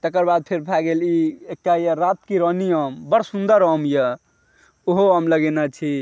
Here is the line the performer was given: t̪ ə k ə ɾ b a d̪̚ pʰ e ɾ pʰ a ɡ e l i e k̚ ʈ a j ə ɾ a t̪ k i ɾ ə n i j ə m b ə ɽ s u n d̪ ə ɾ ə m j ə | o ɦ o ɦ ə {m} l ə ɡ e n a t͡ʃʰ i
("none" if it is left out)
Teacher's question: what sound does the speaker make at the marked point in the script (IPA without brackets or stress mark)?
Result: m